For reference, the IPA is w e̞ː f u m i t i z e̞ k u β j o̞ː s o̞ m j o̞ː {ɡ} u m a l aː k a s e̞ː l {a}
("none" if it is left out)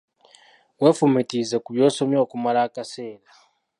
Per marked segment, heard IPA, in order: k, a

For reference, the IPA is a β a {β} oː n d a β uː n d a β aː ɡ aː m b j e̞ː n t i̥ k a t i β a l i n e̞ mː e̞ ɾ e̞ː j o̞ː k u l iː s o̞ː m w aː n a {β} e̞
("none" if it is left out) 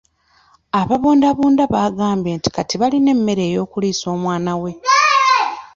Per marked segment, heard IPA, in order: β, w

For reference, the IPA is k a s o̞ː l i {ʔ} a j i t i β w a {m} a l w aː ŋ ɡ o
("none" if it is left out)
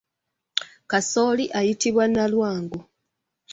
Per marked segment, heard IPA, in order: ʔ, n

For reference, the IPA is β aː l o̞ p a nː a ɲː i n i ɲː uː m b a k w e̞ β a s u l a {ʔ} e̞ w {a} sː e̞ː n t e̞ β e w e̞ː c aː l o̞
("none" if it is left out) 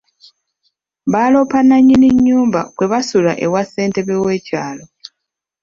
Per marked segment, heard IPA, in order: ʔ, a

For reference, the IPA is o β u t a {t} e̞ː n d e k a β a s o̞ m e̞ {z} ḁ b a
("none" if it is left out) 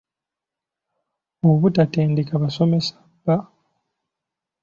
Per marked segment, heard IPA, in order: t, s

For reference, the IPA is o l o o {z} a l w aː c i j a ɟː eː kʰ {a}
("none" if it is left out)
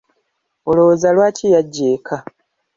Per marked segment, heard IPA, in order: z, a

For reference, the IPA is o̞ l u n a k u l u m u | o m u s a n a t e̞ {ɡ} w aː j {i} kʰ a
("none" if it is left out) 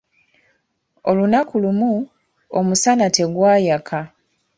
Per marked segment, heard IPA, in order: ɡ, a

